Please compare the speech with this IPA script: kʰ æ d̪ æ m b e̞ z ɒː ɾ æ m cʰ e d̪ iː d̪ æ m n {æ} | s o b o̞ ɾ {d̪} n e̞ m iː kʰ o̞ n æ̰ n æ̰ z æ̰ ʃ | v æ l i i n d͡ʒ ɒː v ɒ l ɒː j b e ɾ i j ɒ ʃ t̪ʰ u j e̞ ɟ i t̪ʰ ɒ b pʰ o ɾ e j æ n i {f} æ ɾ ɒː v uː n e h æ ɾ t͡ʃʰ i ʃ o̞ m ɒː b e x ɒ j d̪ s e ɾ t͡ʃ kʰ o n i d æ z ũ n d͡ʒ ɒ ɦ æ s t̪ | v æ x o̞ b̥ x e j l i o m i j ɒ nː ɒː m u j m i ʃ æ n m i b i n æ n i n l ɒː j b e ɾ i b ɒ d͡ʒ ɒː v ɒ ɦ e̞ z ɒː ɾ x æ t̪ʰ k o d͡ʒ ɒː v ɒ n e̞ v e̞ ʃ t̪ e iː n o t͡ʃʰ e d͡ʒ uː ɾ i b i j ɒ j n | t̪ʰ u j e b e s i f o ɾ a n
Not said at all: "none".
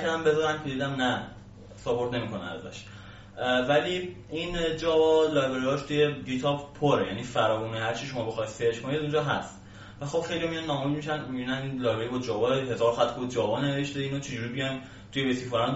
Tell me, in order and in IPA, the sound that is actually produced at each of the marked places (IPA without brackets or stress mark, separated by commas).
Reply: æ, t̪, f